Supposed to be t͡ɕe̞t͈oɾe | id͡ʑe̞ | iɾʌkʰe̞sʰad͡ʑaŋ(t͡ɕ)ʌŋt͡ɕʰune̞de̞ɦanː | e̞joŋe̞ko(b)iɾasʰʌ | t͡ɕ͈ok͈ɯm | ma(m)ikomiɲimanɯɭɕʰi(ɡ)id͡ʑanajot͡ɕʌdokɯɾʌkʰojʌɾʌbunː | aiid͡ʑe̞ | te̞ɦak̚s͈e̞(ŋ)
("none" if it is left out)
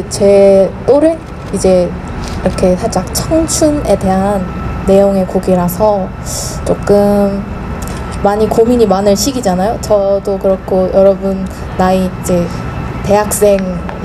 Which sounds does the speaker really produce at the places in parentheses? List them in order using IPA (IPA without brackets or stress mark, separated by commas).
t͡ɕʰ, ɡ, ɲ, ɡ, ŋ